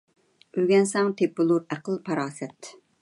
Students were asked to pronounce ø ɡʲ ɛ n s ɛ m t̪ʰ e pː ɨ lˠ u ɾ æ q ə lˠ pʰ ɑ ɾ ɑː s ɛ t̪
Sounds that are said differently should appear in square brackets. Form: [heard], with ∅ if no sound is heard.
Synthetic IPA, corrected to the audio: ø ɡʲ ɛ n s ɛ [ŋ] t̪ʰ e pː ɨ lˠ u ɾ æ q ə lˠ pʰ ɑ ɾ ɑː s ɛ t̪